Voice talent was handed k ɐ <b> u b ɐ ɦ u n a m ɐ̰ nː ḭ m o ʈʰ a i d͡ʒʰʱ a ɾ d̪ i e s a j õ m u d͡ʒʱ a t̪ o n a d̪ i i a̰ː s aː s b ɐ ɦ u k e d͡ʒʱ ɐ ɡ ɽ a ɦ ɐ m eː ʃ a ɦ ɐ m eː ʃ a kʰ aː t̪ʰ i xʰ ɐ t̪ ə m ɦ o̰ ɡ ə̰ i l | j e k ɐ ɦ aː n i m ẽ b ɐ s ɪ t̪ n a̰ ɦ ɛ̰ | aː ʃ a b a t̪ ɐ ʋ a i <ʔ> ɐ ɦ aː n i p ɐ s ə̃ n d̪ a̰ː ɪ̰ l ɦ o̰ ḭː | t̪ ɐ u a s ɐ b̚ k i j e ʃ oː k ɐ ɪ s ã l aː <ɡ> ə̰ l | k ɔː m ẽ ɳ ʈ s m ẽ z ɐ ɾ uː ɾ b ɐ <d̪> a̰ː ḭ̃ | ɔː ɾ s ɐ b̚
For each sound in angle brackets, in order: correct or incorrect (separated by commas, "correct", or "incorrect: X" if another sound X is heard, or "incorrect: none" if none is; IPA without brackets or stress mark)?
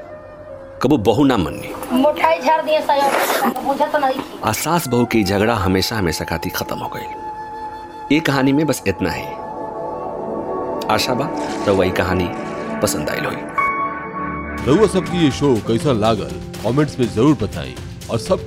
correct, incorrect: k, correct, incorrect: t̪